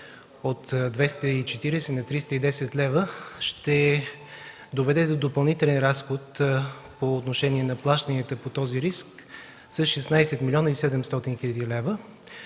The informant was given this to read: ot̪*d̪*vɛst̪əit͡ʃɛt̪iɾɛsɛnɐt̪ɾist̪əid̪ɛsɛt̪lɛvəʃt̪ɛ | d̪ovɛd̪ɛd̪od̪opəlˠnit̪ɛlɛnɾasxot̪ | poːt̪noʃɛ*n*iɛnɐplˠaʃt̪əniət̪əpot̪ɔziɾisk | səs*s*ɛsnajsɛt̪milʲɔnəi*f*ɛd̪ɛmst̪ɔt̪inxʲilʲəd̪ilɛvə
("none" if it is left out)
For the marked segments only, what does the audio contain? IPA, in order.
d̪, n, ʃ, s

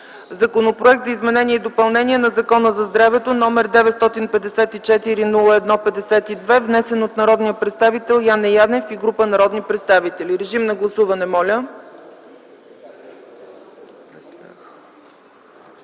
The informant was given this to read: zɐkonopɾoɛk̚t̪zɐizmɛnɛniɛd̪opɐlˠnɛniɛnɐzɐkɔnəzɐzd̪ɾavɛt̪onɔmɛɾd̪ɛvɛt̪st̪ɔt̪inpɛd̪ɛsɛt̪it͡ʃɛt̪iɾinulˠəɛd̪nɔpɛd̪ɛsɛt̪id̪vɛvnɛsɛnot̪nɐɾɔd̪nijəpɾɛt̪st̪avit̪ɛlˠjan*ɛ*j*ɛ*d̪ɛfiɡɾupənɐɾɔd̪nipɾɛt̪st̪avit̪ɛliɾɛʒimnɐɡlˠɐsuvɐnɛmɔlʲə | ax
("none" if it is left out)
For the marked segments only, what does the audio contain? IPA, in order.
ɛ, a

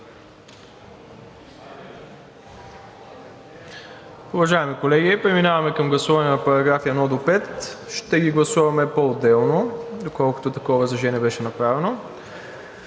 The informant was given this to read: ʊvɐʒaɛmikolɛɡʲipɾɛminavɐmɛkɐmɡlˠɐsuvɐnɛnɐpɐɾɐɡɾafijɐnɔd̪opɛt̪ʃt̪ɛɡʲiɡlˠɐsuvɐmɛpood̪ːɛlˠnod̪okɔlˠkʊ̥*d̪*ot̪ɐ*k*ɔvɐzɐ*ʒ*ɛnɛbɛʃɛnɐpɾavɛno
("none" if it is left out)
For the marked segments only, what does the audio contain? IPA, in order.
t̪, k, ʒ

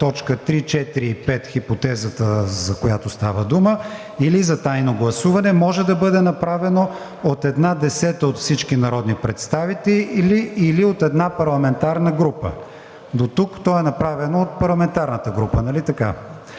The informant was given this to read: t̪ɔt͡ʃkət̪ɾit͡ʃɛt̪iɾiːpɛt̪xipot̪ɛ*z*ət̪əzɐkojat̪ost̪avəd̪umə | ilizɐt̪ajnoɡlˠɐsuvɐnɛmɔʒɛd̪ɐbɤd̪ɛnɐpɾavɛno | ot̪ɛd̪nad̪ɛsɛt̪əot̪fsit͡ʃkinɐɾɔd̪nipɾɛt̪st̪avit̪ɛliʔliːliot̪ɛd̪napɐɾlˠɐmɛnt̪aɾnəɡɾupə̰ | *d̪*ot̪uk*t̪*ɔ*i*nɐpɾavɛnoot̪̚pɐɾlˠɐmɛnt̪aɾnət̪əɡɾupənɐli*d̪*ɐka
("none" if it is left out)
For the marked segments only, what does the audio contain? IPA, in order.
z, d̪, t̪, ɛ, t̪

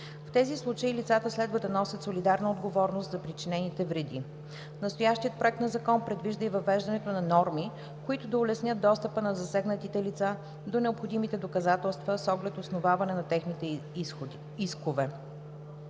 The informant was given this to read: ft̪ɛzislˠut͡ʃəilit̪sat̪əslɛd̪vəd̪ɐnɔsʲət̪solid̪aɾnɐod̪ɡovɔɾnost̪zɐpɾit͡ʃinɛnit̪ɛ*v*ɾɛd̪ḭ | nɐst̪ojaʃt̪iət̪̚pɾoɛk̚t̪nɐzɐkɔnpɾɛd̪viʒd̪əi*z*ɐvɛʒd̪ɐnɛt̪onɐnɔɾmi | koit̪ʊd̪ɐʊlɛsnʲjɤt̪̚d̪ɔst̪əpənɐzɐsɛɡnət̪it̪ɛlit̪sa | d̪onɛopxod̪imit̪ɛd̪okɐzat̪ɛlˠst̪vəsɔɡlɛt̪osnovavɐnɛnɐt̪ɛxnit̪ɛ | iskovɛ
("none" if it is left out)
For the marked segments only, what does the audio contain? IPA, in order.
v, v

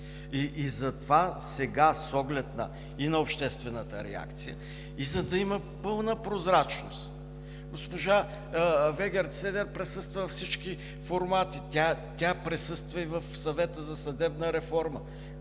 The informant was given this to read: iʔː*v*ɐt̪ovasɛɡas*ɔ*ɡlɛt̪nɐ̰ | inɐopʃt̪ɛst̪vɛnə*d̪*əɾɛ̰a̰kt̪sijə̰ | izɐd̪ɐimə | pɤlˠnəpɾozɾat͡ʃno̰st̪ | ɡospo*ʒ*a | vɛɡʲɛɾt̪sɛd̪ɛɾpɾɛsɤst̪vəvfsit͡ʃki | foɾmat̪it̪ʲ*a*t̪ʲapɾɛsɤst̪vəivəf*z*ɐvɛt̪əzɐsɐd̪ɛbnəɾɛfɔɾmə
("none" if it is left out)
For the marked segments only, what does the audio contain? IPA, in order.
z, ɔ, t̪, ʒ, a, s

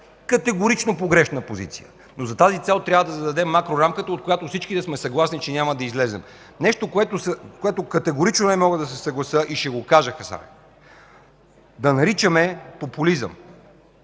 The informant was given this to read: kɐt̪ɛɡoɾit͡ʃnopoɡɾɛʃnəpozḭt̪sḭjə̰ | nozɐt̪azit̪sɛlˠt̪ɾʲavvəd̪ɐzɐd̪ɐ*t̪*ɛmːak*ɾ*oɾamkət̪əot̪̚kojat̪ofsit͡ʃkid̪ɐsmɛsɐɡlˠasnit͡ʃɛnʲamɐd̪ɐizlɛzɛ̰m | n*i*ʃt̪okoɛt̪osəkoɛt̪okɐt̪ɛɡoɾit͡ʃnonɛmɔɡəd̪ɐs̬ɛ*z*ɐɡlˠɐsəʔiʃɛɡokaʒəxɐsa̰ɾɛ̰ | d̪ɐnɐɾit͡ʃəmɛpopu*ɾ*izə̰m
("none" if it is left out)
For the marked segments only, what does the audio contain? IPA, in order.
d̪, ɾ, ɛ, s, l

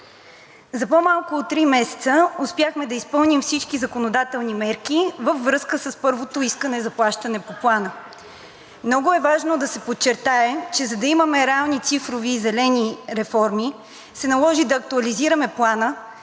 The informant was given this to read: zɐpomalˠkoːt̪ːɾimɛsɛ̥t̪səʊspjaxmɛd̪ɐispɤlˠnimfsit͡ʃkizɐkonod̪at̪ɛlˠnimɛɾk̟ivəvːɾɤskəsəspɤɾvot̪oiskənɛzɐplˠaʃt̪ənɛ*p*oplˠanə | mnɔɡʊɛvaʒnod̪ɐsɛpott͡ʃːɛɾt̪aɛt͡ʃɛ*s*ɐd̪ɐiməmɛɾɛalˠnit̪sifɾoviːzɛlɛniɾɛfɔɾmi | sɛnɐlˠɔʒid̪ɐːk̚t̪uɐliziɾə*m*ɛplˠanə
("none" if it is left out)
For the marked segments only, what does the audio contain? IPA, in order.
p, z, m

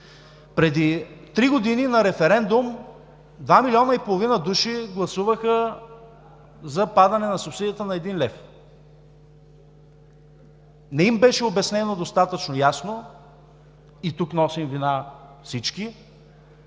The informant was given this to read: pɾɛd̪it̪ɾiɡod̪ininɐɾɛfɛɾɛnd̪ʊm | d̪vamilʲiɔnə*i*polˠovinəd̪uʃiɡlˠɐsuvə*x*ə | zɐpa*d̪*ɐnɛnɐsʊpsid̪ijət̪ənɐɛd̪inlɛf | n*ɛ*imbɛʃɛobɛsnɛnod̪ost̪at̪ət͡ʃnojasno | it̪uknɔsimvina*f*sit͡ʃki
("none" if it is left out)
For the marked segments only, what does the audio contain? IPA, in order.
i, x, d̪, ɛ, f

